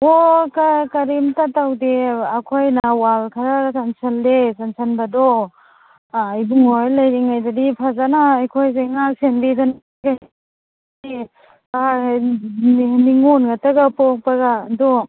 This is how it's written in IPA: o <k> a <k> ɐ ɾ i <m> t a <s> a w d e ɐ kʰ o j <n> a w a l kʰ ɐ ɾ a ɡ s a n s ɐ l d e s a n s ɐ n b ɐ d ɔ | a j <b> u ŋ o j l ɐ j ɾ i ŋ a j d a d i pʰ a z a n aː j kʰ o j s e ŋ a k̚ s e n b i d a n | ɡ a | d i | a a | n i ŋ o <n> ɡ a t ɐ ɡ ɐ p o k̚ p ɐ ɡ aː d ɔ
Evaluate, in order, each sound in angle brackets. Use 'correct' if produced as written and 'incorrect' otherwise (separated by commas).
correct, correct, correct, incorrect, correct, correct, correct